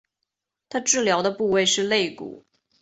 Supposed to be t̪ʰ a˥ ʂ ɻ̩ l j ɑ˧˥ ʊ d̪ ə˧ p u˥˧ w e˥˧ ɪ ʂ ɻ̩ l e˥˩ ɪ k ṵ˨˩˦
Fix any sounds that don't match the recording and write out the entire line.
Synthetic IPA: t̪ʰ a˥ ʈ͡ʂ ɻ̩ l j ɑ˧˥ ʊ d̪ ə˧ p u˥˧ w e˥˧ ɪ ʂ ɻ̩ l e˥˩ ɪ k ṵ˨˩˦